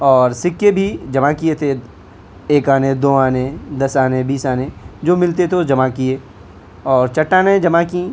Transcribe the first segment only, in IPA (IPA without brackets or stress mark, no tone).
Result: ɔː